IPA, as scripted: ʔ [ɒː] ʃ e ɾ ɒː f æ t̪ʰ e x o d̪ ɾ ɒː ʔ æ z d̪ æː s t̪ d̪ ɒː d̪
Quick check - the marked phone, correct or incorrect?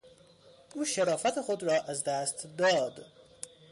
incorrect